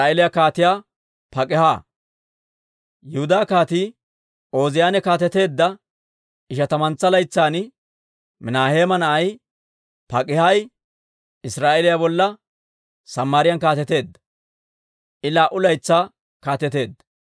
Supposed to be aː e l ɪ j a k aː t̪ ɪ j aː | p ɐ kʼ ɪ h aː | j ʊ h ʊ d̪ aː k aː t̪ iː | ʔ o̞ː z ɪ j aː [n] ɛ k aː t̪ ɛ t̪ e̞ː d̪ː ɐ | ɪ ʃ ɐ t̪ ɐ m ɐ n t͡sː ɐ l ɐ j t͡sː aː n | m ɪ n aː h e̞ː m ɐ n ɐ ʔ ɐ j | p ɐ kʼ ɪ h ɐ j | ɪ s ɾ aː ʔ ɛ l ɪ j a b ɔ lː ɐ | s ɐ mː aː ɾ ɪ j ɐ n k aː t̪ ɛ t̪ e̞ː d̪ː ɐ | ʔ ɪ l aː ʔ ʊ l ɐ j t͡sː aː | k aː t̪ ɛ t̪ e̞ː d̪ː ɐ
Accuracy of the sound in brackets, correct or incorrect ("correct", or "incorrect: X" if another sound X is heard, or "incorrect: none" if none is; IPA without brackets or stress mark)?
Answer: correct